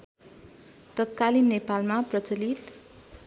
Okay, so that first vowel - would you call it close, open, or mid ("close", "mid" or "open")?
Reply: mid